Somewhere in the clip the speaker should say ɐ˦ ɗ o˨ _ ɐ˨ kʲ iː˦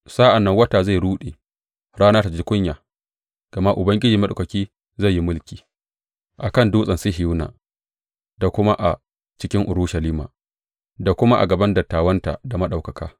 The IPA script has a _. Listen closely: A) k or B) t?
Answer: A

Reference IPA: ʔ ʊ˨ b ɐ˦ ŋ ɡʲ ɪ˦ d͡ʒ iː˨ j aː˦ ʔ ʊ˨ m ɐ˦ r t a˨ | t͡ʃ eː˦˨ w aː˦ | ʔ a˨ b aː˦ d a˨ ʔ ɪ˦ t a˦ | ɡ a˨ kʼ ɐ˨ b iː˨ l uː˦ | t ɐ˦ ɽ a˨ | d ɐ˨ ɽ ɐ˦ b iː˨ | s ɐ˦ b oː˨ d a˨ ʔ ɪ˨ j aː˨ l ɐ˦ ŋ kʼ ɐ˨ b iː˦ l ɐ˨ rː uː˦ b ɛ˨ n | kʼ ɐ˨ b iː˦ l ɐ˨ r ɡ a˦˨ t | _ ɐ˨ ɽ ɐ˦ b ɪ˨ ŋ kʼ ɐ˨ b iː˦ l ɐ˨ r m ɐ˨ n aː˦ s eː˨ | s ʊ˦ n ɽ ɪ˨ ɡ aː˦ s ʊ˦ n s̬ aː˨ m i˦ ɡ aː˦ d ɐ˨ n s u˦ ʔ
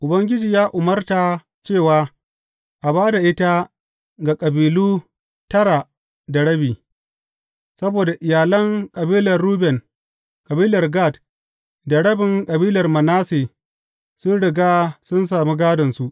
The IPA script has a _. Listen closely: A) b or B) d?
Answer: B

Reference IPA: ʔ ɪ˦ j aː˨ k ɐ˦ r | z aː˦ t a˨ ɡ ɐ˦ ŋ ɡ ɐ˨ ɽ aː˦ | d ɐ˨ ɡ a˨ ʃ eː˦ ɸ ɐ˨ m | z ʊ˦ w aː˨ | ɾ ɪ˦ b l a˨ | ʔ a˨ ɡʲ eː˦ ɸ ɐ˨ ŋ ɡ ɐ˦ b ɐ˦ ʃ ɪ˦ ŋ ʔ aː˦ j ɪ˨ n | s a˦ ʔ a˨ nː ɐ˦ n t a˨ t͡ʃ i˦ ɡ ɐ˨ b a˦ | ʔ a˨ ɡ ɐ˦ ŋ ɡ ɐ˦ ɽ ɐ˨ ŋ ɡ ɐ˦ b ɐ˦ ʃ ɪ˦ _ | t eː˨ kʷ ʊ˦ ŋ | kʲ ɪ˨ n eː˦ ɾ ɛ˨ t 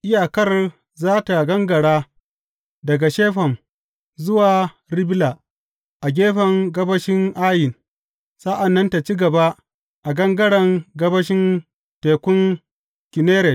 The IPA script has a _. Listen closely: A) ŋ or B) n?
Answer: B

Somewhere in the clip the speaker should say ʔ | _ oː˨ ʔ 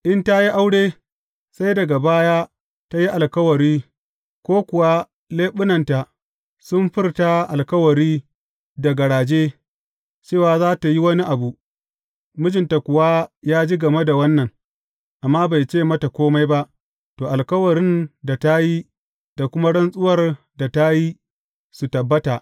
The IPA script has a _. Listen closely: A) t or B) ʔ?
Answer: A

